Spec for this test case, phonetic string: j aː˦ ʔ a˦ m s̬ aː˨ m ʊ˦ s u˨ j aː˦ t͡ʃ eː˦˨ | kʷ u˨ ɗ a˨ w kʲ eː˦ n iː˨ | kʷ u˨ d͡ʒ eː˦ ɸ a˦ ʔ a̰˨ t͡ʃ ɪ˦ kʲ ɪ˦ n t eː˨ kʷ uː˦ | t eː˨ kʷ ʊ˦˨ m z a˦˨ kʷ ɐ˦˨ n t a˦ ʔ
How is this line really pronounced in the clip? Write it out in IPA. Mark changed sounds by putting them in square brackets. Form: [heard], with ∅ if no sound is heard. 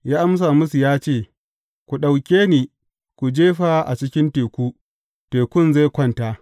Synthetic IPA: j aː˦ ʔ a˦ m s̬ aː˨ m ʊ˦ s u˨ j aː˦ t͡ʃ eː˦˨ | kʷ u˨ ɗ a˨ w kʲ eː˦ n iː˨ | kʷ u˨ d͡ʒ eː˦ ɸ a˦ ʔ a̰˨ t͡ʃ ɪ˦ kʲ ɪ˦ n t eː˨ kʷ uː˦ | t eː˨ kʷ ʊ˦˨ [n] z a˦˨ kʷ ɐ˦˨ n t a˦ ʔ